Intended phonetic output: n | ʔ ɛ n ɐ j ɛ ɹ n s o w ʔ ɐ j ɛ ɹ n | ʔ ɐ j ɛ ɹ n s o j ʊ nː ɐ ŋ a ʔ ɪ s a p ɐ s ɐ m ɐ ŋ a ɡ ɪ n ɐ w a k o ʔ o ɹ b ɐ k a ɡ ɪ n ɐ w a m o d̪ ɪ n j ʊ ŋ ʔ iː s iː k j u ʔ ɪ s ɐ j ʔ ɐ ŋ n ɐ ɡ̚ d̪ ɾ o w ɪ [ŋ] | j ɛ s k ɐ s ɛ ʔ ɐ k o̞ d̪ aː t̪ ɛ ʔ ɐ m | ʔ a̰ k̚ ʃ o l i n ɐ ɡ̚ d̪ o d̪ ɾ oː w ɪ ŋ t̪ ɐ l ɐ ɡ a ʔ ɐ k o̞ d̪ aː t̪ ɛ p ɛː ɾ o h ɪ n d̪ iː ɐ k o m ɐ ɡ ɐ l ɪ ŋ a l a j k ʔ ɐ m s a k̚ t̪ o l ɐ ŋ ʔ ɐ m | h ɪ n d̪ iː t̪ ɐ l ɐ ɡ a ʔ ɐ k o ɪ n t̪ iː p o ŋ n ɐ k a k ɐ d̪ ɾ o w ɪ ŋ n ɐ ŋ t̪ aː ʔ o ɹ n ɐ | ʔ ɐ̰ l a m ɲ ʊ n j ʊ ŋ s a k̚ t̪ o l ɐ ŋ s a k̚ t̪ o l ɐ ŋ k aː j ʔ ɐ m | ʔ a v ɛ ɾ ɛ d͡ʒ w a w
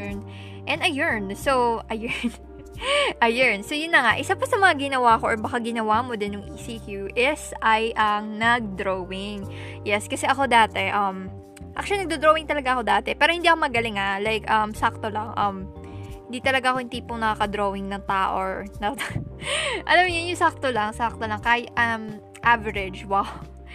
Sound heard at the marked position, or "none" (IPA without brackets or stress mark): ŋ